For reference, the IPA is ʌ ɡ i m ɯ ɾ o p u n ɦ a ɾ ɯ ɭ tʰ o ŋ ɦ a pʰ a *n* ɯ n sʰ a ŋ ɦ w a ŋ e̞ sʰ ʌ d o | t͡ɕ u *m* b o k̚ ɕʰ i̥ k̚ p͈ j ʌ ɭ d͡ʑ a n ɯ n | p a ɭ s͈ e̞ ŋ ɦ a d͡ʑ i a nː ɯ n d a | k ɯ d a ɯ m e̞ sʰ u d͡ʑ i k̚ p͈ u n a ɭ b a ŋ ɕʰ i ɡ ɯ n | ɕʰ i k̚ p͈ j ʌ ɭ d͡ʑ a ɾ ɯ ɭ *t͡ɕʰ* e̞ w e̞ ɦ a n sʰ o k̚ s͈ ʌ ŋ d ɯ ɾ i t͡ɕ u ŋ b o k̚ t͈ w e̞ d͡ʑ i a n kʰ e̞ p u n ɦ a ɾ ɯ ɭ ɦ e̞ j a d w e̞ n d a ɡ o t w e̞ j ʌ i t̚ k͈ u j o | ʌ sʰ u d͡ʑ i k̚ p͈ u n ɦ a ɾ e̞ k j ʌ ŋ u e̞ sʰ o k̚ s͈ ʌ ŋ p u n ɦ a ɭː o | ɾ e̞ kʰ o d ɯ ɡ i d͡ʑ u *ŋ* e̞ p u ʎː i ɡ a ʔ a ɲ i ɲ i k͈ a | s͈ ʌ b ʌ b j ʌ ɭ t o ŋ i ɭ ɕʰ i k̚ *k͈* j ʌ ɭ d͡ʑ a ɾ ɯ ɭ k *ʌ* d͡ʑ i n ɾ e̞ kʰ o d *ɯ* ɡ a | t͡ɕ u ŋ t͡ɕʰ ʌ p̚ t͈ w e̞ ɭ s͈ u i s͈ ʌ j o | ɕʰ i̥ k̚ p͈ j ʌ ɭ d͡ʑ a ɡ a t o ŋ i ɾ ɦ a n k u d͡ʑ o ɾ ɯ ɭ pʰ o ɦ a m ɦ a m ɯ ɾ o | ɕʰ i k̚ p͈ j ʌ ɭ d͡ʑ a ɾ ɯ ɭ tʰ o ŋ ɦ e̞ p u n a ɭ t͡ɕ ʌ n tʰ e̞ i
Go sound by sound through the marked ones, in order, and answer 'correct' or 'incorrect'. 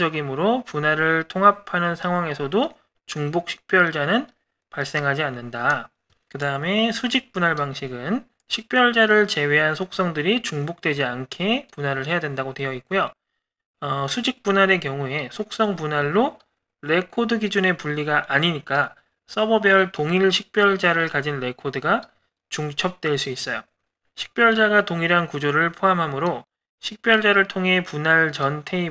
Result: correct, incorrect, incorrect, incorrect, incorrect, incorrect, correct

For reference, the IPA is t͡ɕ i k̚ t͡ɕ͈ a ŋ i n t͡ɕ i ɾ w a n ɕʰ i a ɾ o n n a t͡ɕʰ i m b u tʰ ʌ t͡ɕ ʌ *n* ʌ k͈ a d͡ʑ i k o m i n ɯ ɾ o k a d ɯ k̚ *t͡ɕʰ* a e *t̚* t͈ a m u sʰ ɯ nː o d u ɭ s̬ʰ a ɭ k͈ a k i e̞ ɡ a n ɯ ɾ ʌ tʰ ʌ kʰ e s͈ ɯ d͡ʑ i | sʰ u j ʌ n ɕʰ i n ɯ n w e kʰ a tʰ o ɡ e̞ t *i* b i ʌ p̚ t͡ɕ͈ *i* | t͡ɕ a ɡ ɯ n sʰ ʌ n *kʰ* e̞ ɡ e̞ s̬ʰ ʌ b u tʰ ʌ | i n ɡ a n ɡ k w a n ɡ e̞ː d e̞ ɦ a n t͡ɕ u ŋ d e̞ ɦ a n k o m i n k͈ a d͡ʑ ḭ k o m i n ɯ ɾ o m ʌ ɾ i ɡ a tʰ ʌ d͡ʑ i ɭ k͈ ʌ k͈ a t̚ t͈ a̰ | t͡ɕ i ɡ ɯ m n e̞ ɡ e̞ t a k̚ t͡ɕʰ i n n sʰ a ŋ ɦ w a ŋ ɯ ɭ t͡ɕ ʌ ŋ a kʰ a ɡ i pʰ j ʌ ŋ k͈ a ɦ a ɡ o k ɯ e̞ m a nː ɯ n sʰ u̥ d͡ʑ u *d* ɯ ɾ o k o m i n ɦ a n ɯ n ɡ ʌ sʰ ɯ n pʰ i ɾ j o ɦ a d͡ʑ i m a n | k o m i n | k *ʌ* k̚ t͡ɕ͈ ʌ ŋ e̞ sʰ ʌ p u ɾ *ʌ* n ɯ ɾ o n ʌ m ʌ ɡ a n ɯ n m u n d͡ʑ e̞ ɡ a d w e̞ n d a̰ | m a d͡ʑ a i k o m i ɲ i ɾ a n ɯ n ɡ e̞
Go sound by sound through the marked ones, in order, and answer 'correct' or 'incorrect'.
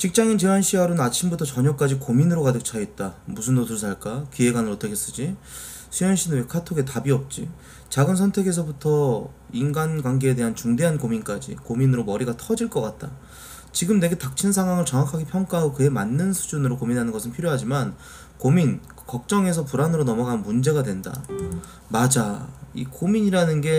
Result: incorrect, correct, correct, incorrect, correct, incorrect, incorrect, correct, incorrect

